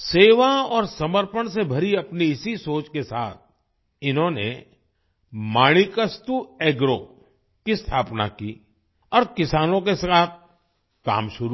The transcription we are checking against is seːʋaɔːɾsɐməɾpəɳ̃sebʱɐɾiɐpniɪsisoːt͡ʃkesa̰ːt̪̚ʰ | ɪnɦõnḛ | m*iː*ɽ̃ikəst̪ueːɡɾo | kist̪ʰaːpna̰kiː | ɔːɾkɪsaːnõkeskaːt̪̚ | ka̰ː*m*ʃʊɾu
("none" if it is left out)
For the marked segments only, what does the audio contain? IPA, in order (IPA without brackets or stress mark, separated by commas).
aː, m